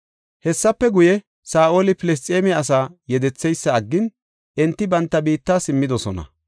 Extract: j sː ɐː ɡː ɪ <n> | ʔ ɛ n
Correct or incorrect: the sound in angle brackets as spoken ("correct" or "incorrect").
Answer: correct